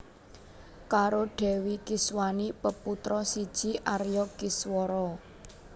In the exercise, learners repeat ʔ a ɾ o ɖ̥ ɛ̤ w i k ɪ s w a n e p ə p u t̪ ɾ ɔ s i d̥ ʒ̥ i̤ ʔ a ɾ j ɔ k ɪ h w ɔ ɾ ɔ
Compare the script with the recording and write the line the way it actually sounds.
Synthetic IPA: k a ɾ o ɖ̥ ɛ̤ w i k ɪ s w a n i p ə p u t̪ ɾ ɔ s i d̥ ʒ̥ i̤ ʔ a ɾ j ɔ k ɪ s w ɔ ɾ ɔ